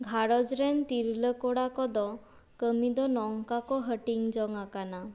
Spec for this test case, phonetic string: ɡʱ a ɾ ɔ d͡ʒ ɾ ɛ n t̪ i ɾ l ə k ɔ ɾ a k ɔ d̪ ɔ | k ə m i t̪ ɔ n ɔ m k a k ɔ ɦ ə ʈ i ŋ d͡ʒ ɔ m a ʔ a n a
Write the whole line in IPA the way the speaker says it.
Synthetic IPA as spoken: ɡʱ a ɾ ɔ d͡ʒ ɾ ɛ n t̪ i ɾ l ə k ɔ ɽ a k ɔ d̪ ɔ | k ə m i d̪ ɔ n ɔ ŋ k a k ɔ ɦ ə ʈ i ŋ d͡ʒ ɔ ŋ a k a n a

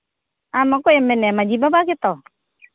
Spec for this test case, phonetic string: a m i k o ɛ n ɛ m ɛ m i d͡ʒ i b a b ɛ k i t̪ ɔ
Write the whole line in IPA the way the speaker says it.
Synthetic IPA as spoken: a m a k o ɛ m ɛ n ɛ m a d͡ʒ i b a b a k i t̪ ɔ

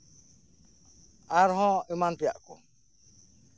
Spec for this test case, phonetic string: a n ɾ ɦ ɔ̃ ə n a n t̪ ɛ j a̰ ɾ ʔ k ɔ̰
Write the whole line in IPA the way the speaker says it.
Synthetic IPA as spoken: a ɾ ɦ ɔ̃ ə m a n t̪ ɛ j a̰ ʔ k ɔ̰

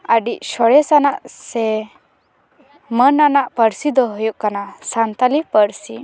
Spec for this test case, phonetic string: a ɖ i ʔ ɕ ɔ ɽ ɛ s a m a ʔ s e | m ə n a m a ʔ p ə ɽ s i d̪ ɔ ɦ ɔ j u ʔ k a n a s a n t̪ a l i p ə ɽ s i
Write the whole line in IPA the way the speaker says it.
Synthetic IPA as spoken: a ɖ i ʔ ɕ ɔ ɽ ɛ s a n a ʔ s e | m ə n a n a ʔ p ə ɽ s i d̪ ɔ ɦ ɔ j u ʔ k a n a s a n t̪ a l i p ə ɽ s i

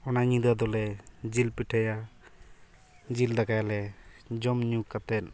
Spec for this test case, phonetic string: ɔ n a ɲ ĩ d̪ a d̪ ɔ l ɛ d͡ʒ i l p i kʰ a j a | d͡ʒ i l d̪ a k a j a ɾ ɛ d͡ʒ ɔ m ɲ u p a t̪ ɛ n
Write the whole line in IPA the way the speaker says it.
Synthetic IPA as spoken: ɔ n a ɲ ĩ d̪ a d̪ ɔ l ɛ d͡ʒ i l p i ʈʰ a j a | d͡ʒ i l d̪ a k a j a l ɛ d͡ʒ ɔ m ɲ u k a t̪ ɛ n

